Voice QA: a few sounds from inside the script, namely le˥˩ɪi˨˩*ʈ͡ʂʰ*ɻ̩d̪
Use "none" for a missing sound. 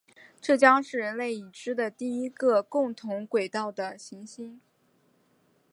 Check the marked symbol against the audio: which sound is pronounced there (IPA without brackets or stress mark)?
ʈ͡ʂ